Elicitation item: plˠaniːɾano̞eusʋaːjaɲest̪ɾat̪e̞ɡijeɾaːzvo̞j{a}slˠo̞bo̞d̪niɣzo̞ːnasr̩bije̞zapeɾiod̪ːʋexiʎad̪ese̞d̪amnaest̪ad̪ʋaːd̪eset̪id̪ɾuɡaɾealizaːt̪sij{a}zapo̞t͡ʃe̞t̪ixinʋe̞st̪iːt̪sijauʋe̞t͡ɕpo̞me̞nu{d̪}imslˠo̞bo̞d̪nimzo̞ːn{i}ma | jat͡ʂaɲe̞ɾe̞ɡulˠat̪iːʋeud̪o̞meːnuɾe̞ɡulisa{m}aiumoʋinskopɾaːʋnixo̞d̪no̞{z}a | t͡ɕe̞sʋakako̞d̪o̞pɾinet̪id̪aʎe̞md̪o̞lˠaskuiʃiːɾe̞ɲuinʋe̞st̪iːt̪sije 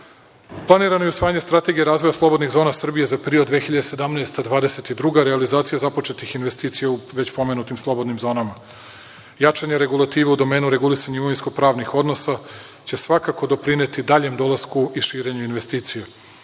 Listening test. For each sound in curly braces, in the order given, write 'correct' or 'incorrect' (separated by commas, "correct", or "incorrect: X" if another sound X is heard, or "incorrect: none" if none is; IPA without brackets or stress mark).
correct, correct, incorrect: t̪, incorrect: a, incorrect: ɲ, incorrect: s